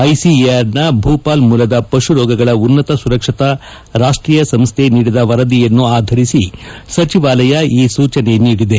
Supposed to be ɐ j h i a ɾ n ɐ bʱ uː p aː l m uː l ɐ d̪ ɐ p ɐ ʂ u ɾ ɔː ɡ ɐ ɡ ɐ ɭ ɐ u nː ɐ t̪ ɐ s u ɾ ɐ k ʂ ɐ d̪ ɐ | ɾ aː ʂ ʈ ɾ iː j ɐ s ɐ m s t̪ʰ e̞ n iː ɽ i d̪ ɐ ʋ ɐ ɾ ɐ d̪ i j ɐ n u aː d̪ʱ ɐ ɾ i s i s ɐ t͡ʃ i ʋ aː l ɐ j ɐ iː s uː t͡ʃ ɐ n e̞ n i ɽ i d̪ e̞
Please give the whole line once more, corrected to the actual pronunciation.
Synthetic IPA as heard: ɐ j s i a ɾ n ɐ bʱ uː p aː l m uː l ɐ d̪ ɐ p ɐ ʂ u ɾ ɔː ɡ ɐ ɡ ɐ ɭ ɐ u nː ɐ t̪ ɐ s u ɾ ɐ k ʂ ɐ t̪ ɐ | ɾ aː ʂ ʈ ɾ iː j ɐ s ɐ m s t̪ʰ e̞ n iː ɽ i d̪ ɐ ʋ ɐ ɾ ɐ d̪ i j ɐ nː u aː d̪ʱ ɐ ɾ i s i s ɐ t͡ʃ i ʋ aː l ɐ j ɐ iː s uː t͡ʃ ɐ n e̞ n iː ɽ i d̪ e̞